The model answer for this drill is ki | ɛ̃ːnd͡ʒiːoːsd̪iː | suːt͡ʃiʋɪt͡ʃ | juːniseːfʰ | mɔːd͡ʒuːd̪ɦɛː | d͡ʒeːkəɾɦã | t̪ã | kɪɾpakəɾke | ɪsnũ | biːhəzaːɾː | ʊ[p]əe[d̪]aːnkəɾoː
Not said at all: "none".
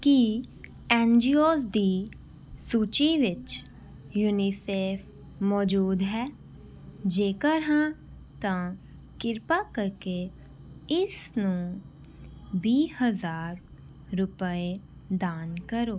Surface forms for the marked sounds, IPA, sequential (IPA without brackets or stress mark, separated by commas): p, d̪